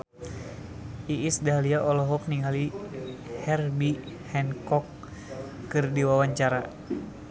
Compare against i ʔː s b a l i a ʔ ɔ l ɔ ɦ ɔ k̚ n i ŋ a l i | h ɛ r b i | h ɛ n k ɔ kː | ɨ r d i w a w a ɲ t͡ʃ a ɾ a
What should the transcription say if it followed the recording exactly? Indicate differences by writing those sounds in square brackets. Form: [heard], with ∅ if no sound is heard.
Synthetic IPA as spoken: i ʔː s [d] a l i a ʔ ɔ l ɔ ɦ ɔ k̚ n i ŋ a l i | h ɛ r b i | h ɛ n k ɔ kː | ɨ r d i w a w a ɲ t͡ʃ a ɾ a